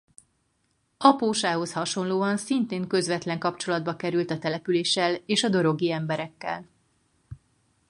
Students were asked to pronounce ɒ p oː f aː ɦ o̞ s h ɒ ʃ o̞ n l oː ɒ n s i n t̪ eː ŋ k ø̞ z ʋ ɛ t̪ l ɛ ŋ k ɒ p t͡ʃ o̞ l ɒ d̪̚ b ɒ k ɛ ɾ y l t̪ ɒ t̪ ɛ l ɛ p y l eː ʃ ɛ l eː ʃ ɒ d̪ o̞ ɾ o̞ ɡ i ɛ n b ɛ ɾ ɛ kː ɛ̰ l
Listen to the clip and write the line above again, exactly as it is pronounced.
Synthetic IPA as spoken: ɒ p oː ʃ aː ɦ o̞ s h ɒ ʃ o̞ n l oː ɒ n s i n t̪ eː ŋ k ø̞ z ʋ ɛ t̪ l ɛ ŋ k ɒ p t͡ʃ o̞ l ɒ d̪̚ b ɒ k ɛ ɾ y l t̪ ɒ t̪ ɛ l ɛ p y l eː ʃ ɛ l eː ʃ ɒ d̪ o̞ ɾ o̞ ɡ i ɛ m b ɛ ɾ ɛ kː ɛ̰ l